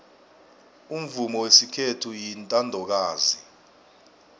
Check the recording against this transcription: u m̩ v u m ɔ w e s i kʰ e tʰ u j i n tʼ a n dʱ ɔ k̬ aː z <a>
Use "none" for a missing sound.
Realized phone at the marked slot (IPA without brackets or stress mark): i